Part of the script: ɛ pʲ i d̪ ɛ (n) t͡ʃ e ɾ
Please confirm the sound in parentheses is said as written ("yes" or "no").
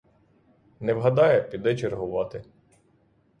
no